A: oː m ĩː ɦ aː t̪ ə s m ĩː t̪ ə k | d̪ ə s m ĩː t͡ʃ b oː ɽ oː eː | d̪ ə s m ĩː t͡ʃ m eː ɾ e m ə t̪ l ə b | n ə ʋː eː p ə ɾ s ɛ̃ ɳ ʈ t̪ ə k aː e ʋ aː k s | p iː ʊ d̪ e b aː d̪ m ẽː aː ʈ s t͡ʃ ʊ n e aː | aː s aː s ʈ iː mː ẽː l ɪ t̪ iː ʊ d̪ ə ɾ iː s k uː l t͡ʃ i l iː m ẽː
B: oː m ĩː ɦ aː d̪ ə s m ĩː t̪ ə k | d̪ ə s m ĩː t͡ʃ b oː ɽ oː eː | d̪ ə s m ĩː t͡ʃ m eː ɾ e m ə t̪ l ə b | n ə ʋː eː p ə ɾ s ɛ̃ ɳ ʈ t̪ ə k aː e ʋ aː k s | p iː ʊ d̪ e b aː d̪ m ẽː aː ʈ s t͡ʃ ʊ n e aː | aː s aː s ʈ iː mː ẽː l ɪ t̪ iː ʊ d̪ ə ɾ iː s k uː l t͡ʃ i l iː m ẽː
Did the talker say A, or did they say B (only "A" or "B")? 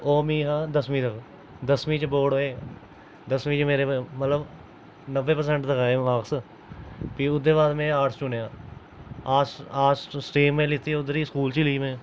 B